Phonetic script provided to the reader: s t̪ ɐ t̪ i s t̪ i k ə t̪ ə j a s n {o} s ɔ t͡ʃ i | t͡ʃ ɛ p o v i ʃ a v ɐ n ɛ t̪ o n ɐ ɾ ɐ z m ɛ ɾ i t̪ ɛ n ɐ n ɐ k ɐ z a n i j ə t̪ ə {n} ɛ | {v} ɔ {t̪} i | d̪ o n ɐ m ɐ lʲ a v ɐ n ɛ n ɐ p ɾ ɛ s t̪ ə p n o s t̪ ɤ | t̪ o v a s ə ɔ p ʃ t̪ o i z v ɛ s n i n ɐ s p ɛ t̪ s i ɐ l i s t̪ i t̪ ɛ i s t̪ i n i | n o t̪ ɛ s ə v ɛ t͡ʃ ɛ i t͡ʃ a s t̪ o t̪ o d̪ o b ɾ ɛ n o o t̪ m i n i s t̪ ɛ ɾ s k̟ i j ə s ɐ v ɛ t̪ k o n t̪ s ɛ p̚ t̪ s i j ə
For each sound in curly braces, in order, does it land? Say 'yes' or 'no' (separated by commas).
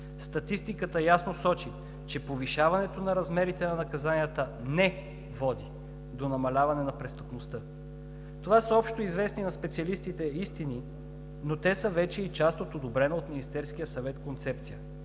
yes, yes, yes, no